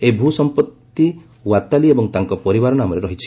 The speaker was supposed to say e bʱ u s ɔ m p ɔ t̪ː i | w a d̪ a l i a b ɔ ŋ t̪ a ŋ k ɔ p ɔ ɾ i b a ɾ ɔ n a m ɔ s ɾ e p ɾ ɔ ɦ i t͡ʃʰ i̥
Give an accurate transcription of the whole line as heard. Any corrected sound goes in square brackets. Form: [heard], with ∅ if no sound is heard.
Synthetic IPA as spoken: e bʱ u s ɔ m p ɔ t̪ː i | w a [t̪] a l i [e] b ɔ ŋ t̪ a ŋ k ɔ p ɔ ɾ i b a ɾ ɔ n a m ɔ [∅] ɾ e [∅] ɾ ɔ ɦ i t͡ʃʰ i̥